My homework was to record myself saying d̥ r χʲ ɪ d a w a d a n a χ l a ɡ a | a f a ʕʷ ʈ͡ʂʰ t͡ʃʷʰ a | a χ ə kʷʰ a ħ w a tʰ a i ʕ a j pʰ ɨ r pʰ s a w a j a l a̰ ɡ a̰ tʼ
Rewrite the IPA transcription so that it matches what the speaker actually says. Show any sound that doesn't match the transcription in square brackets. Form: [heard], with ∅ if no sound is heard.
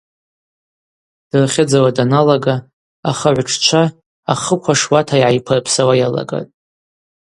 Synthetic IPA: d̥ r χʲ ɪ [d͡z] a w a d a n a [∅] l a ɡ a | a [χ] a ʕʷ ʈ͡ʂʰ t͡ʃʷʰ a | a χ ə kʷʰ a [ʂ] w a tʰ a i ʕ a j pʰ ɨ r pʰ s a w a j a l a̰ ɡ a̰ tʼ